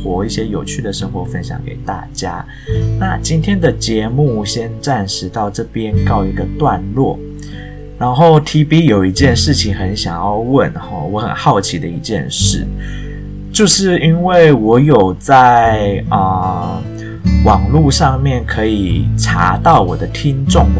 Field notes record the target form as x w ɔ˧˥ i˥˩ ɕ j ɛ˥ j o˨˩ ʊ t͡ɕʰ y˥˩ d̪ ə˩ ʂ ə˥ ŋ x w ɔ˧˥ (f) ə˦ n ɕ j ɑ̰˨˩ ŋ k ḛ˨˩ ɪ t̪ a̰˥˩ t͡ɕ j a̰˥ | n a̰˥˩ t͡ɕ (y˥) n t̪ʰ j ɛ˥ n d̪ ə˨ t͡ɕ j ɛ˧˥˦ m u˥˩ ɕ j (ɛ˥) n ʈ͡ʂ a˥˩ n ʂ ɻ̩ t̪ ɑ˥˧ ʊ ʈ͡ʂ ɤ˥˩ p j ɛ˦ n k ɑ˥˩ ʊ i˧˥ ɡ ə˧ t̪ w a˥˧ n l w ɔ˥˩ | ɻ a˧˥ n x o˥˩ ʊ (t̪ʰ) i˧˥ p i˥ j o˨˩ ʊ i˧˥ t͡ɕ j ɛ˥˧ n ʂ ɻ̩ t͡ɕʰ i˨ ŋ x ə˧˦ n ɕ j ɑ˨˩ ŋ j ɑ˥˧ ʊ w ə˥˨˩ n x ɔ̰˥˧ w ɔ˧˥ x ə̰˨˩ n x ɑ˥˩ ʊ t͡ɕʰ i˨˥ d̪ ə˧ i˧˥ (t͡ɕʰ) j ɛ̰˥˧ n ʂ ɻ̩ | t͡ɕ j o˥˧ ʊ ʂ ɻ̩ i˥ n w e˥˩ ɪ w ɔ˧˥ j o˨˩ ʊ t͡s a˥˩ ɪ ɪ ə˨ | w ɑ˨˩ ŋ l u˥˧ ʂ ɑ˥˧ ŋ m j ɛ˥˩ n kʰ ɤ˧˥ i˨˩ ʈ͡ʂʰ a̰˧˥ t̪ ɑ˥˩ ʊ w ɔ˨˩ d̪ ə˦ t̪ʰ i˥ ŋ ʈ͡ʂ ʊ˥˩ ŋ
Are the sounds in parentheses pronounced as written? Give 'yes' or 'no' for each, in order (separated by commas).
yes, no, yes, yes, no